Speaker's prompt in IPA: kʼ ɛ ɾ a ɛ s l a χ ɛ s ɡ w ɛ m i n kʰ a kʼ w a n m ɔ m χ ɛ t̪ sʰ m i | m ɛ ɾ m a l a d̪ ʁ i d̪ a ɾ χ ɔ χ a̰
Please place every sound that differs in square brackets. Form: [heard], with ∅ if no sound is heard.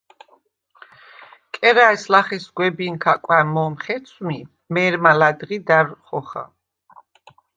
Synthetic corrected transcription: kʼ ɛ ɾ a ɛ s l a χ ɛ s ɡ w ɛ [b] i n kʰ a kʼ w a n m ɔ m χ ɛ t̪ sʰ m i | m ɛ ɾ m a l a d̪ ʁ i d̪ a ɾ χ ɔ χ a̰